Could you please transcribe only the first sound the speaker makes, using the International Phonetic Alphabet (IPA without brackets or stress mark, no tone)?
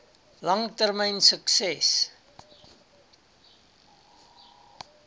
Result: l